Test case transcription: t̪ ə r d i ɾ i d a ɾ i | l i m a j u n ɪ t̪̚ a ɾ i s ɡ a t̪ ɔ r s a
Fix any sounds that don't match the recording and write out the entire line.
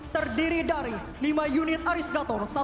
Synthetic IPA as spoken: t̪ ə r d i ɾ i d a ɾ i | l i m a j u n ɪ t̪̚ a ɾ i s ɡ a t̪ ɔ r s a